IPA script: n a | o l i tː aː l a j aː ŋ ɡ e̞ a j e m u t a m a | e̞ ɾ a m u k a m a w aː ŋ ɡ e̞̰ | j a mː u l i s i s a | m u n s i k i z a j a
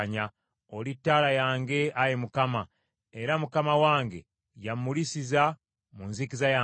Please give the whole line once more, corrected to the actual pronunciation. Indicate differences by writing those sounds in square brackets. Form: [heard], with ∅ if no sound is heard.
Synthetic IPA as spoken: [ɲ] a | o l i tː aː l a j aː ŋ ɡ e̞ a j e m u [k] a m a | e̞ ɾ a m u k a m a w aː ŋ ɡ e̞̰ | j a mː u l i s i [z] a | m u n [z] i k i z a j a